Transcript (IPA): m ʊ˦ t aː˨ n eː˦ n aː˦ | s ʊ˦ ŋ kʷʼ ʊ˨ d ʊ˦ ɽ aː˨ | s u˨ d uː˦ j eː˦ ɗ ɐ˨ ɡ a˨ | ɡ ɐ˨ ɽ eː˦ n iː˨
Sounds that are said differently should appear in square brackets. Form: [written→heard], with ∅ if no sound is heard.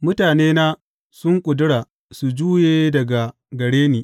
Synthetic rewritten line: m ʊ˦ t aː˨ n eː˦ n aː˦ | s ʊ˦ ŋ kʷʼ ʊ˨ d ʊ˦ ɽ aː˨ | s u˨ [d→d͡ʒ] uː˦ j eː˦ [ɗ→d] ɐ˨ ɡ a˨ | ɡ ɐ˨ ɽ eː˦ n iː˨